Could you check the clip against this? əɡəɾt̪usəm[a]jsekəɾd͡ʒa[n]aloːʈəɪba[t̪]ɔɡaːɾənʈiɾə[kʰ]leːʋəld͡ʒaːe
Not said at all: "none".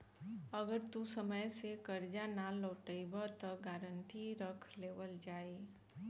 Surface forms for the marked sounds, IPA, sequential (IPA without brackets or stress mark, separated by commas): ə, n, t̪, kʰ